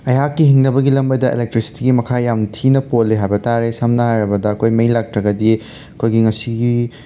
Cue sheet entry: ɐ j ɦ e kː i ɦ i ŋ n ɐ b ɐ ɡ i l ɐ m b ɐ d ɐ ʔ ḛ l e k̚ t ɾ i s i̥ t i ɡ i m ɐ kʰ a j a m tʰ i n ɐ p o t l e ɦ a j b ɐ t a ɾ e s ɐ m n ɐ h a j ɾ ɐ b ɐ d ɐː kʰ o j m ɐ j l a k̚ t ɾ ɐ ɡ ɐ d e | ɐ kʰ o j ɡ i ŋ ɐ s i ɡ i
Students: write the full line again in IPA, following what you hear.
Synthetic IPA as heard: ɐ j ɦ a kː i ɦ i ŋ n ɐ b ɐ ɡ i l ɐ m b ɐ d ɐ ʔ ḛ l e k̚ t ɾ i s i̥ t i ɡ i m ɐ kʰ a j a m tʰ i n ɐ p o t l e ɦ a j b ɐ t a ɾ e s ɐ m n ɐ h a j ɾ ɐ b ɐ d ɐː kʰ o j m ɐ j l a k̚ t ɾ ɐ ɡ ɐ d i | ɐ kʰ o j ɡ i ŋ ɐ s i ɡ i